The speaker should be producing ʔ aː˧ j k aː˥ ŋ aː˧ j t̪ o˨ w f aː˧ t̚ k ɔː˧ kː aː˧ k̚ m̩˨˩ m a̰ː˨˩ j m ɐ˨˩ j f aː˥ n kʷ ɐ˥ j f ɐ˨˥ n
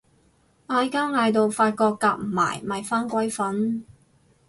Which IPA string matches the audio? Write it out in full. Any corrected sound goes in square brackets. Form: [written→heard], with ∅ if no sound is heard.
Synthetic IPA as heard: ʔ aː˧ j k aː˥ ŋ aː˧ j t̪ o˨ w f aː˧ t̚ k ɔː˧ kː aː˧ k̚ m̩˨˩ m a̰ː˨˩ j m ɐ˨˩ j f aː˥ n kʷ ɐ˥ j f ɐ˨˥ n